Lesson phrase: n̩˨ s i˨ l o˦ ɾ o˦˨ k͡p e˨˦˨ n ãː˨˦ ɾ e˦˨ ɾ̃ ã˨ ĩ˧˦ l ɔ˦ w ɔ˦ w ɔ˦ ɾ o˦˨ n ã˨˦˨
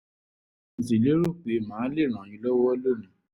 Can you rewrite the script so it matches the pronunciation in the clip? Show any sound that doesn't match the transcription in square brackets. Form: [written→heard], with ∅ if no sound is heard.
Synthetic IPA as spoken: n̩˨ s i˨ l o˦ ɾ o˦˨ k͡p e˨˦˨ [n→m] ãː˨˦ [ɾ→l] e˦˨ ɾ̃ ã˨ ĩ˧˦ l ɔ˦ w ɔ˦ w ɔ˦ [ɾ→l] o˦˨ n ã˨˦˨